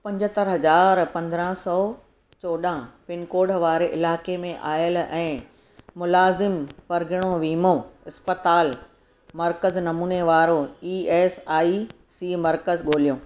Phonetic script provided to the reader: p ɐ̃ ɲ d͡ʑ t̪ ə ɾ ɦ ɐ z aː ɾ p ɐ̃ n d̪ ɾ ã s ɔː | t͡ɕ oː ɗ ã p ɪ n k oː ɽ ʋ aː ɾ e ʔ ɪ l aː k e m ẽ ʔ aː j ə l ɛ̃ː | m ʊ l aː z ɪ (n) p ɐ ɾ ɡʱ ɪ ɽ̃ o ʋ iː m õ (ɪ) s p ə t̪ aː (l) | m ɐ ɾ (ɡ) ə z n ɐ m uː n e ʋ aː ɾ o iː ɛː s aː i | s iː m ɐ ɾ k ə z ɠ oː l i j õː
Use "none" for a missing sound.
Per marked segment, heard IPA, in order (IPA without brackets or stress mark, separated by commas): m, ɪ, l, k